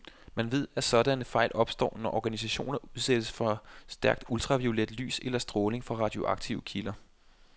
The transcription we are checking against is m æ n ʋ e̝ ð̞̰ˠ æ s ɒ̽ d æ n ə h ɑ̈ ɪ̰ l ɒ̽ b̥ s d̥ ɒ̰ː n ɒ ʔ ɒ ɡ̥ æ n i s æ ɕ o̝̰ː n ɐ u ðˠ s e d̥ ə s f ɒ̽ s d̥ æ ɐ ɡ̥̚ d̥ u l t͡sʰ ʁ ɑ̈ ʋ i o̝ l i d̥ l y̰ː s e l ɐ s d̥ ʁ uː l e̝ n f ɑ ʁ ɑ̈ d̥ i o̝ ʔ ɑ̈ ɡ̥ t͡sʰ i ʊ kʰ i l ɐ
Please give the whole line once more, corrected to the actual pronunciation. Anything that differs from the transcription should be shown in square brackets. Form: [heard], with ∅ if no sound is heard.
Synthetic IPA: m æ n ʋ e̝ ð̞̰ˠ æ s ɒ̽ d æ n ə [f] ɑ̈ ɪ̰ l ɒ̽ b̥ s d̥ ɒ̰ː n ɒ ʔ ɒ ɡ̥ æ n i s æ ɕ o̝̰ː n ɐ u ðˠ s e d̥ ə s f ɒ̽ s d̥ æ ɐ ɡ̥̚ d̥ u l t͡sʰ ʁ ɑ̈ ʋ i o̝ l [e] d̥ l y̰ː s e l ɐ s d̥ ʁ [ɔː] l e̝ [ŋ] f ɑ ʁ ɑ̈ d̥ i o̝ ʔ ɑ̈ ɡ̥ t͡sʰ i ʊ kʰ i l ɐ